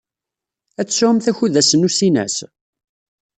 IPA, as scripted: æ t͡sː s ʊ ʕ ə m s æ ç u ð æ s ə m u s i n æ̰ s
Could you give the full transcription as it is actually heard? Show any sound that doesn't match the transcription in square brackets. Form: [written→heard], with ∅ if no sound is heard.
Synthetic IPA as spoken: æ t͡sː s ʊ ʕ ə m [s→θ] æ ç u ð æ s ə [m→n] u s i n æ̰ s